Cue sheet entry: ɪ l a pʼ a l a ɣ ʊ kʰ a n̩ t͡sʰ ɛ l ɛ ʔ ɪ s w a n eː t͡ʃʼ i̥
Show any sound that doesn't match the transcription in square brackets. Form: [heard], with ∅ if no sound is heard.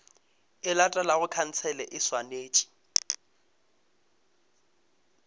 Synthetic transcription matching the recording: ɪ l a [tʼ] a l a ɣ ʊ kʰ a n̩ t͡sʰ ɛ l ɛ ʔ ɪ s w a n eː t͡ʃʼ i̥